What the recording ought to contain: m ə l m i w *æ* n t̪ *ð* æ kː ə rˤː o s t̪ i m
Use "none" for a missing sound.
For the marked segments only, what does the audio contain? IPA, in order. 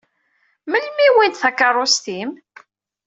i, θ

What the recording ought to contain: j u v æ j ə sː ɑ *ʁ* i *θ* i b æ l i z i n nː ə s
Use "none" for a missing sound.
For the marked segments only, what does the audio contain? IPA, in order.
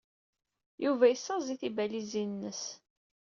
z, θ

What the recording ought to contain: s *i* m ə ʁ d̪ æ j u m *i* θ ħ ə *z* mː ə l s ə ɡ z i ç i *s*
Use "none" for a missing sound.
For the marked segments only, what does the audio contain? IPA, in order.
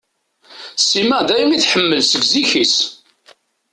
i, i, none, s

